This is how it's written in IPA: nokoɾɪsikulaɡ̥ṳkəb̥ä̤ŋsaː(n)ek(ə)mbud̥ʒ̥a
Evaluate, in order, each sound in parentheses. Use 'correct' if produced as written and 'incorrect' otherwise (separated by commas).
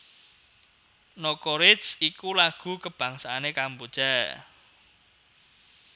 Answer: correct, incorrect